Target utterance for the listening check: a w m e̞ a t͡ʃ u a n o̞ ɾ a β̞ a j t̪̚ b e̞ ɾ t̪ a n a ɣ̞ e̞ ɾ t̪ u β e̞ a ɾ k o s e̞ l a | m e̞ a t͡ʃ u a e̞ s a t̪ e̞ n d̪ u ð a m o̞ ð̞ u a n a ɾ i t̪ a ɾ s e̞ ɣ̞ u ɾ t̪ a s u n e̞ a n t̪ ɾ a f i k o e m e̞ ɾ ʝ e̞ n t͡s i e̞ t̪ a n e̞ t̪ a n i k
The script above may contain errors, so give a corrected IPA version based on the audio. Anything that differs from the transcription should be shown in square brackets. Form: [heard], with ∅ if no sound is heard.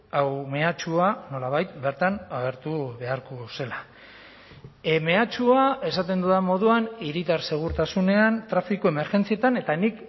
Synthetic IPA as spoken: a w m e̞ a t͡ʃ u a n o̞ [l] a β̞ a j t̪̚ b e̞ ɾ t̪ a n a ɣ̞ e̞ ɾ t̪ u β e̞ a ɾ k o s e̞ l a | m e̞ a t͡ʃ u a e̞ s a t̪ e̞ n d̪ u ð a m o̞ ð̞ u a n [i] ɾ i t̪ a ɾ s e̞ ɣ̞ u ɾ t̪ a s u n e̞ a n t̪ ɾ a f i k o e m e̞ ɾ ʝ e̞ n t͡s i e̞ t̪ a n e̞ t̪ a n i k